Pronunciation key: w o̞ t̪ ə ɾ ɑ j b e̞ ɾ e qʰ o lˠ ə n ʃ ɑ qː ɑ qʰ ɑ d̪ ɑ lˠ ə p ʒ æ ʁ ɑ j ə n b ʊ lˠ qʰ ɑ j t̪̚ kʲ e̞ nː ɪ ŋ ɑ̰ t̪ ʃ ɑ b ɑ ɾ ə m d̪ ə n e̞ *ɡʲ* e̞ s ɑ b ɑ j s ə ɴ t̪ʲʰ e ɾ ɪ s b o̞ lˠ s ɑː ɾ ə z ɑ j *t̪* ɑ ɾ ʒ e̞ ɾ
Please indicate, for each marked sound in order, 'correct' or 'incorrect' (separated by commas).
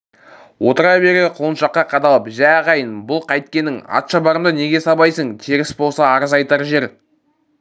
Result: correct, correct